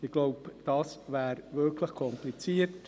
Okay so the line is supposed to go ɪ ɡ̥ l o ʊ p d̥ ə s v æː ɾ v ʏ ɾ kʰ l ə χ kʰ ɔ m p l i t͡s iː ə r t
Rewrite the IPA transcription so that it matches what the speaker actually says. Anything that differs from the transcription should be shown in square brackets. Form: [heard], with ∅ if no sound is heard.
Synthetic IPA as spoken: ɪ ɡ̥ l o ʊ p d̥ [ɑ] s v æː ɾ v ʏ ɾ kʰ l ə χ kʰ ɔ m p l i t͡s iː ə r t